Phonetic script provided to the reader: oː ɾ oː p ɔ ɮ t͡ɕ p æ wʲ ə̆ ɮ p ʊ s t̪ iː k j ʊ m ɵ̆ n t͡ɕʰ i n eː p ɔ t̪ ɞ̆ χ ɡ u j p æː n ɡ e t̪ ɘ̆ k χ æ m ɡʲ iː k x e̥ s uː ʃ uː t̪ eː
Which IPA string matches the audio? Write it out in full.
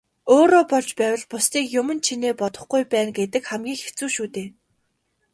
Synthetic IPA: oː ɾ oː p ɔ ɮ t͡ɕ p æː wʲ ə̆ ɮ p ʊ s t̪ iː k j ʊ m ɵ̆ n t͡ɕʰ i n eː p ɔ t̪ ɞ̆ χ ɡ u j p æː n ɡ e t̪ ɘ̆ k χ æ m ɡʲ iː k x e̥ t͡s uː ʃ uː t̪ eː